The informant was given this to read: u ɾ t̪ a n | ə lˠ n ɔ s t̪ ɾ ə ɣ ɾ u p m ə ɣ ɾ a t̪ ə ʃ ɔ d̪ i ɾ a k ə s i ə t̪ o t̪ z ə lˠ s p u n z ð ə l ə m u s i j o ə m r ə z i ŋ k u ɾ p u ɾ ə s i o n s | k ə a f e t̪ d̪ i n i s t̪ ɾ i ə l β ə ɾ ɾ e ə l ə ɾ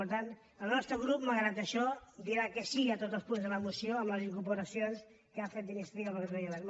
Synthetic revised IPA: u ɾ t̪ a n | ə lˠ n ɔ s t̪ ɾ ə ɣ ɾ u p m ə ɣ ɾ a t̪ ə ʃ ɔ d̪ i ɾ a k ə s i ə t̪ o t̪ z ə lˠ s p u n z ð ə l ə m u s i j o ə m l ə z i ŋ k u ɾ p u ɾ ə s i o n s | k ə a f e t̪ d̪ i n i s t̪ ɾ i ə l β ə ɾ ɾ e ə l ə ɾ